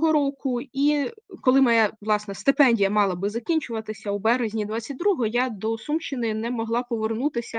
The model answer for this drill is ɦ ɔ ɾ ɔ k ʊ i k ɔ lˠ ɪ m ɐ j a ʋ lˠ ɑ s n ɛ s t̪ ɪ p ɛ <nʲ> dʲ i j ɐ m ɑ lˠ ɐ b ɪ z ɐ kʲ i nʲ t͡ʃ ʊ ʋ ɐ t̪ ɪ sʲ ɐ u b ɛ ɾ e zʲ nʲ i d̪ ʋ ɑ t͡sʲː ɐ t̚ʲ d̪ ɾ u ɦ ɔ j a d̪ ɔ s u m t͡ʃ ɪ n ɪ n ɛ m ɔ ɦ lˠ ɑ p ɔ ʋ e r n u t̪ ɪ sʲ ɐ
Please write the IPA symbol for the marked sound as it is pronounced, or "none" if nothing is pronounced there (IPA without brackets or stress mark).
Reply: nʲ